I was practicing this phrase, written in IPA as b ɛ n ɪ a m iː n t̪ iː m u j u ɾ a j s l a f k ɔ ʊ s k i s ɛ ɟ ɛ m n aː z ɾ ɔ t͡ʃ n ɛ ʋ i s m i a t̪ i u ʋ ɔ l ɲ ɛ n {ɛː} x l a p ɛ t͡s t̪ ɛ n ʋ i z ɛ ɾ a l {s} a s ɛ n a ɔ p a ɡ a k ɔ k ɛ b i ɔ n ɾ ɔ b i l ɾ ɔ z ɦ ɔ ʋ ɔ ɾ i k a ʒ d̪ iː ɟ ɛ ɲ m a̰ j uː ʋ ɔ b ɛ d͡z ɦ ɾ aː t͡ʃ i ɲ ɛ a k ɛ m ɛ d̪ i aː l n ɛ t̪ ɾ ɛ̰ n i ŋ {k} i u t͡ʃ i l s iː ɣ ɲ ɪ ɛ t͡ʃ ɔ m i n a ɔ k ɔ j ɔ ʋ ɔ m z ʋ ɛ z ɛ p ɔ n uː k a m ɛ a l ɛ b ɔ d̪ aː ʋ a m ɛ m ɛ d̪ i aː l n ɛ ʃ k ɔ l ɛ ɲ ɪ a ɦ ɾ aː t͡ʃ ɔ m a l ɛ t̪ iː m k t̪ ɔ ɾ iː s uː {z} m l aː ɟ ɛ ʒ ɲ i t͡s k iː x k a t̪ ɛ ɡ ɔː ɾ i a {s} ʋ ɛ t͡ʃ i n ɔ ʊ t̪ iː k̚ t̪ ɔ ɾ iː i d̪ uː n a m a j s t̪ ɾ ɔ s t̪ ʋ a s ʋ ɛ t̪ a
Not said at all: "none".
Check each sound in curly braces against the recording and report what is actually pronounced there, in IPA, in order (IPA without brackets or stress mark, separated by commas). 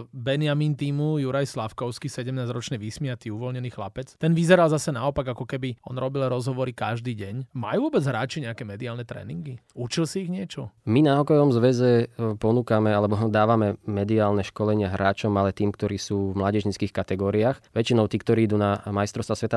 iː, z, ɡ, v, x